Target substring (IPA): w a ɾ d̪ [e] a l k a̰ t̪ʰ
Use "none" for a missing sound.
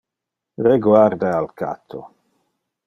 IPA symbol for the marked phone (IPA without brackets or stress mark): a